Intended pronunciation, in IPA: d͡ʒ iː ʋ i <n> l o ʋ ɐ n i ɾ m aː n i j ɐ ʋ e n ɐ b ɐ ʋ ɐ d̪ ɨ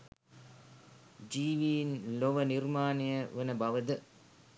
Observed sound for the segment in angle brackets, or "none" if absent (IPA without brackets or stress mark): n